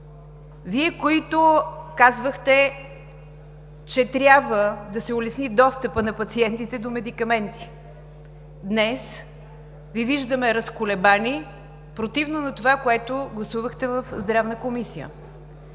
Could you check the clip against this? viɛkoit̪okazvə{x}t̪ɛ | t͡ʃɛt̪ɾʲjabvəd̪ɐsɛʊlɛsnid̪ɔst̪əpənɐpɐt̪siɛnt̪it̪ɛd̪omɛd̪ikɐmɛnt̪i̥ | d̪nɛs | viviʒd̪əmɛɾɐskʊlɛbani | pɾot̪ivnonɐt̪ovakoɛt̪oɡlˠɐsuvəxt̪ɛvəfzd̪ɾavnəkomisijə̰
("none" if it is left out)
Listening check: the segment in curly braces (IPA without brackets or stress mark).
x